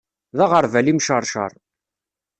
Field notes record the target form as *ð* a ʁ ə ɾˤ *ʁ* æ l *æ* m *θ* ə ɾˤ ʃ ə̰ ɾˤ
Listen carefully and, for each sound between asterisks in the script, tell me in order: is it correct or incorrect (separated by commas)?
correct, incorrect, incorrect, incorrect